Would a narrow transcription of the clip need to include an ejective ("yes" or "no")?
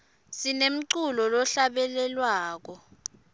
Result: no